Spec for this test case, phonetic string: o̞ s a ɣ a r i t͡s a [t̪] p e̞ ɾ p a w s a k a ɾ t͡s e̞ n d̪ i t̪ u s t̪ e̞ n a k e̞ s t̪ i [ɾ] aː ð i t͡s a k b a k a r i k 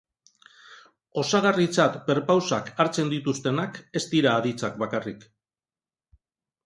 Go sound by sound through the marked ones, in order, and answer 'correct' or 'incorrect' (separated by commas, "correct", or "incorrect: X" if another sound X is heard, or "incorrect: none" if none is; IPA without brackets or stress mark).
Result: correct, correct